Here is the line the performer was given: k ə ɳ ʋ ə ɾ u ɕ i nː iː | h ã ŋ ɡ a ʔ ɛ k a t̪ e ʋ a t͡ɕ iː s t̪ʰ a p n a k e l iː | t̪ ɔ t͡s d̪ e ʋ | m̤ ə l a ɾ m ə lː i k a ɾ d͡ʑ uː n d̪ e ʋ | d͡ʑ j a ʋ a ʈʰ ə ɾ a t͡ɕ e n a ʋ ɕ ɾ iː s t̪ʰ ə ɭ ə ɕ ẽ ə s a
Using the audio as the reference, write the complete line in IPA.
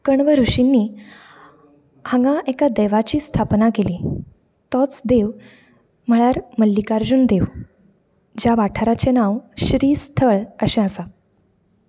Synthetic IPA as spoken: k ə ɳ ʋ ə ɾ u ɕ i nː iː | h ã ŋ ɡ a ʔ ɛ k a d̪ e ʋ a t͡ɕ iː s t̪ʰ a p n a k e l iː | t̪ ɔ t͡s d̪ e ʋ | m̤ ə ɭ a ɾ m ə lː i k a ɾ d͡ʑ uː n d̪ e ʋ | d͡ʑ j a ʋ a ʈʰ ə ɾ a t͡ɕ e n a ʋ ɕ ɾ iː s t̪ʰ ə ɭ ə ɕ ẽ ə s a